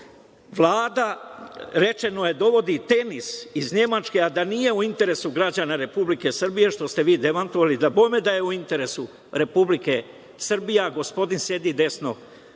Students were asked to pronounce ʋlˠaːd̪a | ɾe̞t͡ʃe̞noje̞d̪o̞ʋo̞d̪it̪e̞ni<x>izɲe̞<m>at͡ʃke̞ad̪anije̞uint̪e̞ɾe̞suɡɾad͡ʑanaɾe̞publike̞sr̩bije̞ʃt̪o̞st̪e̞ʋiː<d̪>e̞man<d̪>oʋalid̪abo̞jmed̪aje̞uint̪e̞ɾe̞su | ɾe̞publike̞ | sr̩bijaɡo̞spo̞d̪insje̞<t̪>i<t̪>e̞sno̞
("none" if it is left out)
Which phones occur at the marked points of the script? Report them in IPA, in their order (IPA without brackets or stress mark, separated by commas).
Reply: s, m, d̪, t̪, d̪, d̪